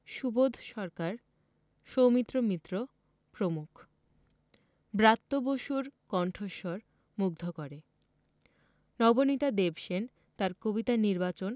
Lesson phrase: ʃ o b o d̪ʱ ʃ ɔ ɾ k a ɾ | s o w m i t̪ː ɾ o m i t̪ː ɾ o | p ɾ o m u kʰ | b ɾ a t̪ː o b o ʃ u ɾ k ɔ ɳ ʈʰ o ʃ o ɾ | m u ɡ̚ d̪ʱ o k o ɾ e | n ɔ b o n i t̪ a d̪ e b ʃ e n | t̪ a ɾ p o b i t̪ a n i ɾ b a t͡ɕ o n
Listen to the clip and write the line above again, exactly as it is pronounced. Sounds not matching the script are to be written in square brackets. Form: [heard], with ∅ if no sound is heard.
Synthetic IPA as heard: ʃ [u] b o d̪ʱ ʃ ɔ ɾ k a ɾ | [ʃ] o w m i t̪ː ɾ o m i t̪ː ɾ o | p ɾ o m u kʰ | b ɾ a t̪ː o b o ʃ u ɾ k ɔ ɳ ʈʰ o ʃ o ɾ | m u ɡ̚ d̪ʱ o k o ɾ e | n ɔ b o n i t̪ a d̪ e b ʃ e n | t̪ a ɾ [k] o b i t̪ a n i ɾ b a t͡ɕ o n